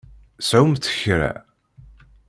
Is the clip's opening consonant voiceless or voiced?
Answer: voiceless